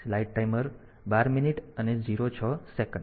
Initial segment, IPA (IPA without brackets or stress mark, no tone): l